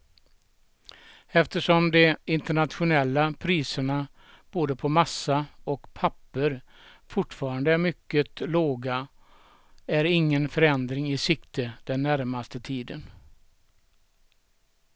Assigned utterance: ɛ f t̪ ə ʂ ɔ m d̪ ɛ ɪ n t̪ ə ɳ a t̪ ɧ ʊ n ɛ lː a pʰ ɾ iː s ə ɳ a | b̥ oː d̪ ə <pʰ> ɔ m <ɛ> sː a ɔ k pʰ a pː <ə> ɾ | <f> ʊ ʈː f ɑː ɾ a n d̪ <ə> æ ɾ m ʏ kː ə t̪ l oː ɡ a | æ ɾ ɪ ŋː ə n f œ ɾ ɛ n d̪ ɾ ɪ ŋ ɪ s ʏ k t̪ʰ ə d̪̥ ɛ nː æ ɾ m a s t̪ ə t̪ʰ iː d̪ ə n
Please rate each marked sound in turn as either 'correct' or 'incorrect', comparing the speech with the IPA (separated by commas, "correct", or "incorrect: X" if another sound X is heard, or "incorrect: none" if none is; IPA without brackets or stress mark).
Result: correct, incorrect: a, correct, correct, correct